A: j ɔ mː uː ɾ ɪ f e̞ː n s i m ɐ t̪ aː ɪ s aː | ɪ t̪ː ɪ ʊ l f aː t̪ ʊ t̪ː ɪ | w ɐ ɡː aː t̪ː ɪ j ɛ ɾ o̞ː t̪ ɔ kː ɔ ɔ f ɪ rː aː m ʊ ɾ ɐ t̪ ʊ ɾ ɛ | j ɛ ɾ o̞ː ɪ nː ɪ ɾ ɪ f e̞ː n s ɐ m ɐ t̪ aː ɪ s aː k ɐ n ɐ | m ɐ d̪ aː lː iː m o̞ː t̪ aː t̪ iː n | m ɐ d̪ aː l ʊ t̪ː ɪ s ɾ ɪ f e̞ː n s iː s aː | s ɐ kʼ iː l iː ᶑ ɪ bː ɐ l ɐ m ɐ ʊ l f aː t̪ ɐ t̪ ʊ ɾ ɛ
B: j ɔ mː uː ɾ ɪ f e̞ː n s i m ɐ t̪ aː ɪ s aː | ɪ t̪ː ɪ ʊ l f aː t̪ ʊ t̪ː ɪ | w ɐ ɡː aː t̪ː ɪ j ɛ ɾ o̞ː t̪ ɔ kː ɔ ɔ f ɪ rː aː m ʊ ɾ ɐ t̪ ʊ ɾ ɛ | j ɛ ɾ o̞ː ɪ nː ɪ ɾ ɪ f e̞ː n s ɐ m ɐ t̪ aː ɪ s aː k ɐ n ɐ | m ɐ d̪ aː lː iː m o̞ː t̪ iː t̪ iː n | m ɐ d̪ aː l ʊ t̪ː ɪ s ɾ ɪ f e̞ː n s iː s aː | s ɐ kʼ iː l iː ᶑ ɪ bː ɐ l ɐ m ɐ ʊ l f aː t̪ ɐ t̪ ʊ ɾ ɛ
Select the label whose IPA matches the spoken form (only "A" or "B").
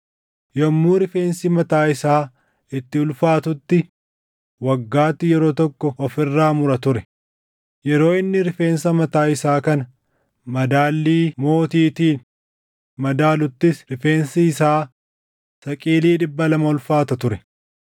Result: B